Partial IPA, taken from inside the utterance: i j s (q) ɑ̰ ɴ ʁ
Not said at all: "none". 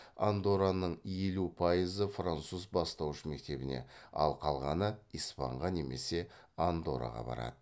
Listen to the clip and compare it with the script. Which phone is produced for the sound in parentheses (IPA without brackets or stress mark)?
p